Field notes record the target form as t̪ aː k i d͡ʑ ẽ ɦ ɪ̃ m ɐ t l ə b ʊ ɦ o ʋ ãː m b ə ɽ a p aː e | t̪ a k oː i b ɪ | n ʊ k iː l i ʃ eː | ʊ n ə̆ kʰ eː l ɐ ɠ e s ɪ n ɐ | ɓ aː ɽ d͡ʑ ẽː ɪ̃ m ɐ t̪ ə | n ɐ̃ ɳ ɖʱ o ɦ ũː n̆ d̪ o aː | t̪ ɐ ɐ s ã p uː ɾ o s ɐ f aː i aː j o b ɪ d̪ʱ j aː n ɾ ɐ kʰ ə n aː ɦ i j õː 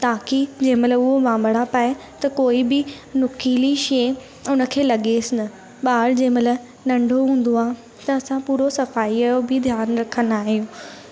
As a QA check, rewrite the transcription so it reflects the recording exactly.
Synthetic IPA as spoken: t̪ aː k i d͡ʑ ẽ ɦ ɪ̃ m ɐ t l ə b ʊ ɦ o ʋ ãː m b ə ɽ a p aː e | t̪ ɐ k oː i b ɪ | n ʊ k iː l i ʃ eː | ʊ n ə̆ kʰ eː l ɐ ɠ e s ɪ n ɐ | ɓ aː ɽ d͡ʑ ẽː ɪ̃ m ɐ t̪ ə | n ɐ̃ ɳ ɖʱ o ɦ ũː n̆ d̪ o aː | t̪ ɐ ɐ s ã p uː ɾ o s ɐ f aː i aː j o b ɪ d̪ʱ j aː n ɾ ɐ kʰ ə n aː ɦ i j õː